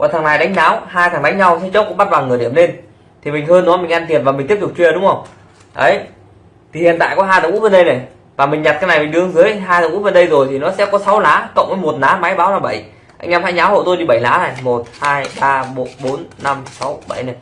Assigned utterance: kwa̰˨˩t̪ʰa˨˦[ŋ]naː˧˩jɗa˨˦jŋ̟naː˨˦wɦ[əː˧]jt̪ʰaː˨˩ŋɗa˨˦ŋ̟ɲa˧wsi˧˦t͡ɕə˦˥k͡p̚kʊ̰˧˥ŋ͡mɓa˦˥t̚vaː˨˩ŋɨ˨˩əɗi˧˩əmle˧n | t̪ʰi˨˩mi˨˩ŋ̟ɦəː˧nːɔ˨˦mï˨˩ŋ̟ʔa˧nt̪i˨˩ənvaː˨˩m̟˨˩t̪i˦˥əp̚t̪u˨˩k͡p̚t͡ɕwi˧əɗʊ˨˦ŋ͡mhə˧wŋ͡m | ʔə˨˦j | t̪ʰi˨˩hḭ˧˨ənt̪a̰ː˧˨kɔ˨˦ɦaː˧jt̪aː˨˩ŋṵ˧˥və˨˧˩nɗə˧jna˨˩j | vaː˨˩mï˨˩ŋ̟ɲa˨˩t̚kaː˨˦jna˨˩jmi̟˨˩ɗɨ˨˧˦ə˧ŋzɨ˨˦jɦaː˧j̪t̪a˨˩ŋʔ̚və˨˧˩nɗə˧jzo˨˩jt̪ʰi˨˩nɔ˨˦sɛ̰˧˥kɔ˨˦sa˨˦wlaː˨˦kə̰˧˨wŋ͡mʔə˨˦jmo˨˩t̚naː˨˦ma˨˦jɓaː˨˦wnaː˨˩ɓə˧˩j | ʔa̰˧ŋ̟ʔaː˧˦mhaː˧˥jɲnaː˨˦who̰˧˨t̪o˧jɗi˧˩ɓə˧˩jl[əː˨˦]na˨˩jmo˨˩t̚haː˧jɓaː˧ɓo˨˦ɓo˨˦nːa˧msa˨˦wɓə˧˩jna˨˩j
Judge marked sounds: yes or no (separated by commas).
yes, no, no